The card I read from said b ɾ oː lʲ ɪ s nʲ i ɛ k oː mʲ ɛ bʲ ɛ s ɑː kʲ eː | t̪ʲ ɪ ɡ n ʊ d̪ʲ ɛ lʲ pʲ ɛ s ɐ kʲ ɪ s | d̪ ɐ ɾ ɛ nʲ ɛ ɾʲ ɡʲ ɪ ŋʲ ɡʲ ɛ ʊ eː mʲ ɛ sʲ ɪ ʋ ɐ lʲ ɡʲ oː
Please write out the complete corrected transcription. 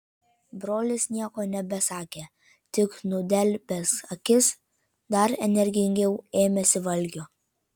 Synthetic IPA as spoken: b ɾ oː lʲ ɪ s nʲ i ɛ k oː nʲ ɛ bʲ ɛ s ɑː kʲ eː | t̪ʲ ɪ k n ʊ d̪ʲ ɛ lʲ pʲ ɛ s ɐ kʲ ɪ s | d̪ ɐ ɾ ɛ nʲ ɛ ɾʲ ɡʲ ɪ ŋʲ ɡʲ ɛ ʊ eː mʲ ɛ sʲ ɪ ʋ ɐ lʲ ɡʲ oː